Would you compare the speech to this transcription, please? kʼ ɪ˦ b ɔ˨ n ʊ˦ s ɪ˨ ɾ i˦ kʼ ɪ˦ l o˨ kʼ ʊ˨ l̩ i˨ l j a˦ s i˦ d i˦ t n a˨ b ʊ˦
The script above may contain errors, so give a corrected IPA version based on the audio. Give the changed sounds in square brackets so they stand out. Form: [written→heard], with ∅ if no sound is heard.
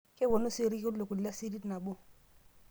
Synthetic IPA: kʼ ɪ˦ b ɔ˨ n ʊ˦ s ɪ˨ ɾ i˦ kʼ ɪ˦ l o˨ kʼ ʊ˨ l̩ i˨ l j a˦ s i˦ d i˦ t n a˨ b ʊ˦